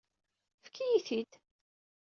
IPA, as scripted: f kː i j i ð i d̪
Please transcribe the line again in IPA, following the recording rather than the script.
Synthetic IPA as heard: f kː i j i θ i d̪